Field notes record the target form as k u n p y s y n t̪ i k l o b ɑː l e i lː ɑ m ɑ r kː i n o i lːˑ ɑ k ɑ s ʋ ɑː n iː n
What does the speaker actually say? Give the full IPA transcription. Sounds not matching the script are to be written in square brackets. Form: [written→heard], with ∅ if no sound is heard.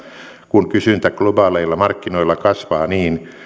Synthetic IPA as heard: k u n [p→k] y s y n t̪ [i→æ] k l o b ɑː l e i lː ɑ m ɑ r kː i n o i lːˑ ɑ k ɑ s ʋ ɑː n iː n